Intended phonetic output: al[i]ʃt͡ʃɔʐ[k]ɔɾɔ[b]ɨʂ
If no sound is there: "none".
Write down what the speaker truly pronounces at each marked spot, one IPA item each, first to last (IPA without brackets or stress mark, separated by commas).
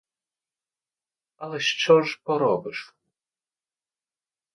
ɛ, p, b